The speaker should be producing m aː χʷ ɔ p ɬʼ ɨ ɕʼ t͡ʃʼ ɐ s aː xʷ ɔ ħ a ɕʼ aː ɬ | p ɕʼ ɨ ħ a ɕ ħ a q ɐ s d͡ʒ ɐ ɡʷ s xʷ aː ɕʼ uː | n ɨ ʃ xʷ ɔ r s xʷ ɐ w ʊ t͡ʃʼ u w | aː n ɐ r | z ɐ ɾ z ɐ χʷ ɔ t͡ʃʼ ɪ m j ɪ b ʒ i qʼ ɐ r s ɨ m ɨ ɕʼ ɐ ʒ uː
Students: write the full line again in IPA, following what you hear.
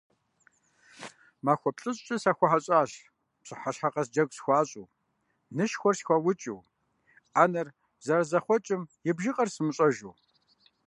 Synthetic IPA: m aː xʷ ɔ p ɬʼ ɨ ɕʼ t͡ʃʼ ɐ s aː xʷ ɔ ħ a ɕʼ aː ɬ | p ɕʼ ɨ ħ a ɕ ħ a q ɐ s d͡ʒ ɐ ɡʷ s xʷ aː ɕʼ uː | n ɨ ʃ xʷ ɔ r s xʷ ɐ w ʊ t͡ʃʼ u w | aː n ɐ r | z ɐ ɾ z ɐ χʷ ɔ t͡ʃʼ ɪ m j ɪ b ʒ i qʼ ɐ r s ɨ m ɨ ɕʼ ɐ ʒ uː

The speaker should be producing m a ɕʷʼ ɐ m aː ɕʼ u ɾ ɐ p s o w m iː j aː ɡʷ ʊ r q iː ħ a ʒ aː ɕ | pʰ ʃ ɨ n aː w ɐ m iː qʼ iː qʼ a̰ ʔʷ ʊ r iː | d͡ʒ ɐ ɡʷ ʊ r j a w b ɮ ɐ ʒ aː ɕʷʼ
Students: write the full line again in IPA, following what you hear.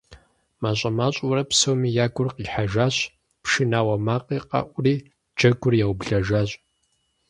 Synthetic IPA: m a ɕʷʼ ɐ m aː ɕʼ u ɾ ɐ p s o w m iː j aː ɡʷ ʊ r q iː ħ a ʒ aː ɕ | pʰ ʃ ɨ n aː w ɐ m aː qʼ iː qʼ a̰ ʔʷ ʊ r iː | d͡ʒ ɐ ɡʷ ʊ r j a w b ɮ ɐ ʒ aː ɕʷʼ

